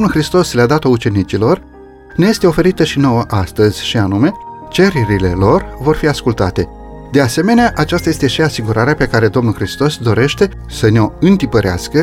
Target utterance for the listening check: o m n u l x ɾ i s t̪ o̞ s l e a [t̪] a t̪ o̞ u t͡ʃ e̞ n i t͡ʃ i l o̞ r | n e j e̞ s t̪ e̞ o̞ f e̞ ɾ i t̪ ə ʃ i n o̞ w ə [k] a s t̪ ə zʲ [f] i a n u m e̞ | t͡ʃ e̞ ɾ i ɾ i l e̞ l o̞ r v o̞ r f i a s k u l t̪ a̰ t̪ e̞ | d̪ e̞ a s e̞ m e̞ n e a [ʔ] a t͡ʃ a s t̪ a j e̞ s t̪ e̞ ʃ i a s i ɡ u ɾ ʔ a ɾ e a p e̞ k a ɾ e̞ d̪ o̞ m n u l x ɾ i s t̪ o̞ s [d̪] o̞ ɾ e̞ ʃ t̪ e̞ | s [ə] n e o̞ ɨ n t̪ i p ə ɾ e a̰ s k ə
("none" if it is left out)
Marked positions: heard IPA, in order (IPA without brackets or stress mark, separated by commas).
d̪, ʔ, ʃ, ʔ, d̪, ə